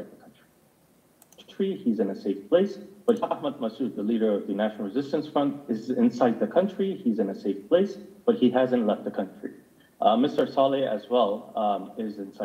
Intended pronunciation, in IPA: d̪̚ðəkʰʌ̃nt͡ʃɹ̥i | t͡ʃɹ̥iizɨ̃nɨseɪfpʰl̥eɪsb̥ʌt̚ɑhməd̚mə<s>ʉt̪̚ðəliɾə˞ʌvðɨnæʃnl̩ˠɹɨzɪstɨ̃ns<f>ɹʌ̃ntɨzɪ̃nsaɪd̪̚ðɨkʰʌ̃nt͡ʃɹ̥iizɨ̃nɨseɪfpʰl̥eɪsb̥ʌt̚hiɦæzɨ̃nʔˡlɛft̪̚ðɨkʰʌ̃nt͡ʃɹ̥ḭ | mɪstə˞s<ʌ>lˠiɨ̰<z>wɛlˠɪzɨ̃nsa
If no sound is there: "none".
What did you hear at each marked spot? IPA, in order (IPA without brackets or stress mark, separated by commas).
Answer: s, f, ɑ, z